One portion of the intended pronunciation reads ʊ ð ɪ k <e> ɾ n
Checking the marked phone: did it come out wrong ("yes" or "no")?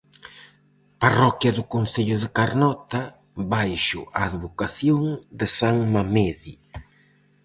yes